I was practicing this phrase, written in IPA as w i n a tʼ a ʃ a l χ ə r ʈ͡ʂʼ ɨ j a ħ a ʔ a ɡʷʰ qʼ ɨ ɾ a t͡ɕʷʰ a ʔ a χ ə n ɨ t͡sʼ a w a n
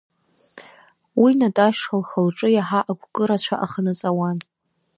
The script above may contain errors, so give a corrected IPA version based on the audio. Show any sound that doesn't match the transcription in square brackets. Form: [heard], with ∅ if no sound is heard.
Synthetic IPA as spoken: w i n a tʼ a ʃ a l χ ə [l] ʈ͡ʂʼ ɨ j a ħ a ʔ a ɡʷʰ [kʼ] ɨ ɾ a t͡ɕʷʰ a ʔ a χ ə n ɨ t͡sʼ a w a n